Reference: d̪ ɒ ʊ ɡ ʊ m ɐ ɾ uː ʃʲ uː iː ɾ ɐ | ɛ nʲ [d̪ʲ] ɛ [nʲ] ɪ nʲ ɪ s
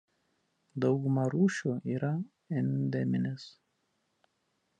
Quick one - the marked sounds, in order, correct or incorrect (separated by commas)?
correct, incorrect